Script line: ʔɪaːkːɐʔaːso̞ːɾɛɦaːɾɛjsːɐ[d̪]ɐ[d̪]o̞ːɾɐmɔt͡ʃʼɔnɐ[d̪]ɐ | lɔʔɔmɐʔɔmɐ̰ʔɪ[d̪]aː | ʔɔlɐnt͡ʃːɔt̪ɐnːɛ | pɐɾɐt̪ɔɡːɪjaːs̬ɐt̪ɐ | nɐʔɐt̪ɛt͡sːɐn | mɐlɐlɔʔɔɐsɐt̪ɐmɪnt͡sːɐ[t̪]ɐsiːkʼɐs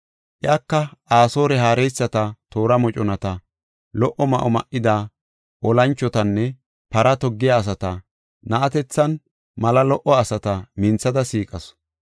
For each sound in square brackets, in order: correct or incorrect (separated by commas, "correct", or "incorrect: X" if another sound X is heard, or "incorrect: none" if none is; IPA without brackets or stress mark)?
incorrect: t̪, incorrect: t̪, incorrect: t̪, correct, incorrect: d̪